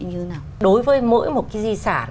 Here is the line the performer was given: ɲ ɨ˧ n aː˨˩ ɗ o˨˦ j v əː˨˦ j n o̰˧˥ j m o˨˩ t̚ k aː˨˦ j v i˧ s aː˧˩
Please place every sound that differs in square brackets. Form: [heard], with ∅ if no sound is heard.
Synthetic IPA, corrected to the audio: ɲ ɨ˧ n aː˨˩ ɗ o˨˦ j v əː˨˦ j [m] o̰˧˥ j m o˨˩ t̚ k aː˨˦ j [z] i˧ s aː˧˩